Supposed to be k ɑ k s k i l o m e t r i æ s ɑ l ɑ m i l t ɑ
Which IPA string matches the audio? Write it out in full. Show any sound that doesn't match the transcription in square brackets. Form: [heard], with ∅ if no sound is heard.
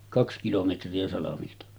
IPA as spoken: k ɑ k s k i l o m e t r i æ s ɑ l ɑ m i l t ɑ